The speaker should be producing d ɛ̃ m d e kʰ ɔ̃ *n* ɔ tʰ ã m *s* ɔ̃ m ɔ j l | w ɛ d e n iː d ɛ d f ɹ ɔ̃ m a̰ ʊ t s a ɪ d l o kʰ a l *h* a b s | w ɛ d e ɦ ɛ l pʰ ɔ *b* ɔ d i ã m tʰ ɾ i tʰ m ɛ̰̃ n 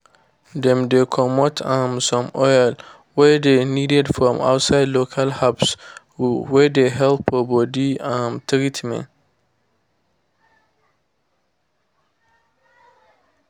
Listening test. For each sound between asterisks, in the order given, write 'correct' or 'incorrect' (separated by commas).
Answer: incorrect, correct, correct, correct